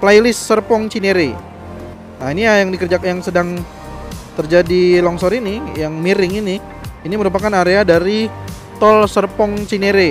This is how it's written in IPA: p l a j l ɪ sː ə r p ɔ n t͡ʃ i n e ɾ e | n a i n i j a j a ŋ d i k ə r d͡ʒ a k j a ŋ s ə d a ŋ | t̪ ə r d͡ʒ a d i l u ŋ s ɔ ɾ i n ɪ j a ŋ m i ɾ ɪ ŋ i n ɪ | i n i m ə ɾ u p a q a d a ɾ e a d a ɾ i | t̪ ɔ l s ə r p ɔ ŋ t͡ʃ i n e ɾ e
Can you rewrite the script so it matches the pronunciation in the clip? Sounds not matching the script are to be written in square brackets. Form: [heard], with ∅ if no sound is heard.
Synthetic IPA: p l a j l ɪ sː ə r p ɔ [ŋ] t͡ʃ i n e ɾ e | n a i n i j a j a ŋ d i k ə r d͡ʒ a k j a ŋ s ə d a ŋ | t̪ ə r d͡ʒ a d i l [ɔ] ŋ s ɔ ɾ i n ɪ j a ŋ m i ɾ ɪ ŋ i n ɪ | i n i m ə ɾ u p a [k] a [n] a ɾ e a d a ɾ i | t̪ ɔ l s ə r p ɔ ŋ t͡ʃ i n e ɾ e